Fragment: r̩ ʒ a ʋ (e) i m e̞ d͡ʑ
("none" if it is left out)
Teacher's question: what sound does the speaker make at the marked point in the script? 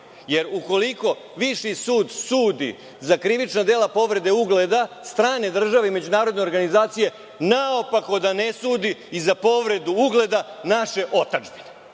e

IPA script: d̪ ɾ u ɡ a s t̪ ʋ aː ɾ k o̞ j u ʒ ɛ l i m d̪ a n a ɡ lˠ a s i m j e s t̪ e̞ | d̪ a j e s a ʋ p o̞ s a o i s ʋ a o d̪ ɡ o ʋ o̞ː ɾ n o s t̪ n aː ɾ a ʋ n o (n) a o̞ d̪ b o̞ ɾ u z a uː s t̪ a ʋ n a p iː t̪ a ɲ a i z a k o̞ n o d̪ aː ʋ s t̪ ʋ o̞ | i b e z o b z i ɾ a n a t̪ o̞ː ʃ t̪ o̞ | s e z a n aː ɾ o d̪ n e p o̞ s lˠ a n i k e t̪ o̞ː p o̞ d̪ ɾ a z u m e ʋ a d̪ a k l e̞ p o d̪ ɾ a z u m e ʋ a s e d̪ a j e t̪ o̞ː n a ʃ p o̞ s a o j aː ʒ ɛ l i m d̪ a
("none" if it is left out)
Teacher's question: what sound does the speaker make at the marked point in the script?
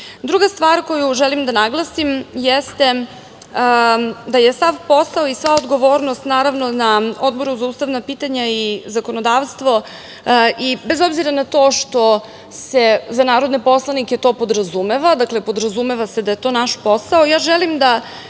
n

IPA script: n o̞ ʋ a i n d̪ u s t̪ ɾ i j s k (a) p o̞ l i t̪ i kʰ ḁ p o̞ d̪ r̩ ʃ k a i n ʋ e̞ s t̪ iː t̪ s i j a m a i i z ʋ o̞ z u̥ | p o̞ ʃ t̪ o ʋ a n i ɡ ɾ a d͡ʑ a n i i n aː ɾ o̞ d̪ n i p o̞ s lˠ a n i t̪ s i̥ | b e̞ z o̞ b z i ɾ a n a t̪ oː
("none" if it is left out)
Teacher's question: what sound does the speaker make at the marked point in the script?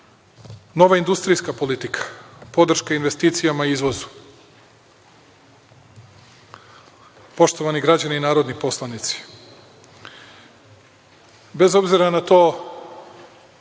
a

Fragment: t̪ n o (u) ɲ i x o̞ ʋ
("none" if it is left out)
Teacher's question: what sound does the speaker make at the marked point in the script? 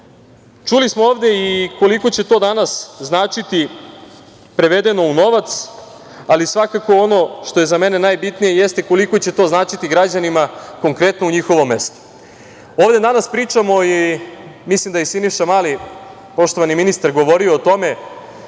u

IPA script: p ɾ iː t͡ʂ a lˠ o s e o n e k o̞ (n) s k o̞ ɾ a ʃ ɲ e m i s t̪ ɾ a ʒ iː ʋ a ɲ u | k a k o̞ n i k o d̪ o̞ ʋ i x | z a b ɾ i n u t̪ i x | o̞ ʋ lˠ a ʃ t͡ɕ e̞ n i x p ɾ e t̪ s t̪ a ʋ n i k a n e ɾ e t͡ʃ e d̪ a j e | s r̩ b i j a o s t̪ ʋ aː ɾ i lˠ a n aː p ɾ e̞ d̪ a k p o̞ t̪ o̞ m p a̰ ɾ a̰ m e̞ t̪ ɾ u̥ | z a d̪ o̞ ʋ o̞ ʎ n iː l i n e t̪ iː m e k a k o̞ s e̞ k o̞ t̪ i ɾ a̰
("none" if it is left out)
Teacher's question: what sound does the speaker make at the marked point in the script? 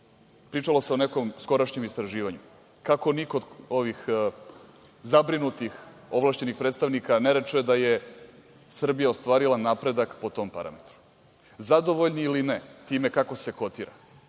m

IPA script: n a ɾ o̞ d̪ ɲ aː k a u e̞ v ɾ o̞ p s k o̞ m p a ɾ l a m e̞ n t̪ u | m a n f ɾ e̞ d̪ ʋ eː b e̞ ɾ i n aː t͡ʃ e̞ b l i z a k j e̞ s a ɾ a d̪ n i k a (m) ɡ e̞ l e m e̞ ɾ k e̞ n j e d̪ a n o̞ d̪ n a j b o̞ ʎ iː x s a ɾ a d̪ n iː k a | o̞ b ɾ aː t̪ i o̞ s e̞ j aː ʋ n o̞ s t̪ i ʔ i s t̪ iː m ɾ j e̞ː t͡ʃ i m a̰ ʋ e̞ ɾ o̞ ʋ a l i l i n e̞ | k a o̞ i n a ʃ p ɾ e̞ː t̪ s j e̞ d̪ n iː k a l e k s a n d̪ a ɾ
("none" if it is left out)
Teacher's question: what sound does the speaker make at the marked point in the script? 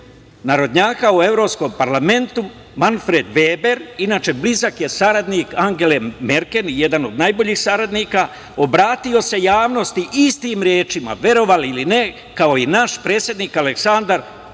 ŋ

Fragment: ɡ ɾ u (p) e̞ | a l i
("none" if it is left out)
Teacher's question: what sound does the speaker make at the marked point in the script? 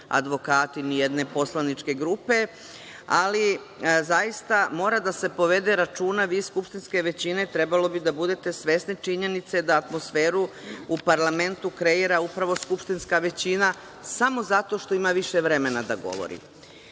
p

